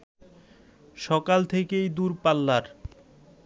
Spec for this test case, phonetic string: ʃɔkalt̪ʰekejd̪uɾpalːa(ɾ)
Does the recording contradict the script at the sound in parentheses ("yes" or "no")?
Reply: no